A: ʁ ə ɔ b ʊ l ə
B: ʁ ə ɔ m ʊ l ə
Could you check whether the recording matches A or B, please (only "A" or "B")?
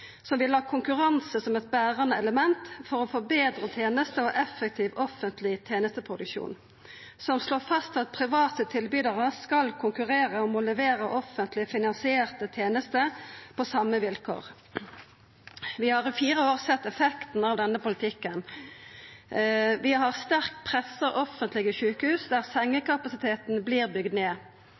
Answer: B